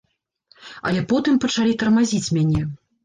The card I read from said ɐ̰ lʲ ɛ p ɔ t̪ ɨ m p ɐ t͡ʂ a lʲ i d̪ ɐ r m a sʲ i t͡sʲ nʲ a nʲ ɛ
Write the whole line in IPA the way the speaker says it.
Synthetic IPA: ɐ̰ lʲ ɛ p ɔ t̪ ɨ m p ɐ t͡ʂ a lʲ i t̪ ɐ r m a zʲ i t͡sʲ mʲ a nʲ ɛ